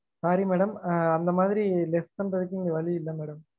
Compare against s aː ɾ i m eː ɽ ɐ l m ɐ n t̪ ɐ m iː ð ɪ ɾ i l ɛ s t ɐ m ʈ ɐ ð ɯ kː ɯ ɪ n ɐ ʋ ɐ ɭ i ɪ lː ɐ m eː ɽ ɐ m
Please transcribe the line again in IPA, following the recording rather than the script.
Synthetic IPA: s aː ɾ i m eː ɽ ɐ m ɐ n d̪ ɐ m aː ð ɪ ɾ i l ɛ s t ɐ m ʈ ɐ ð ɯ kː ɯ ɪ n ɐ ʋ ɐ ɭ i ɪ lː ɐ m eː ɽ ɐ m